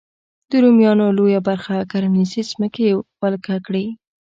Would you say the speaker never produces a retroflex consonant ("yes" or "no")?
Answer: no